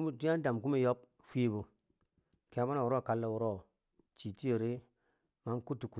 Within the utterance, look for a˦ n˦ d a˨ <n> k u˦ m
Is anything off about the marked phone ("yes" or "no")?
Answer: yes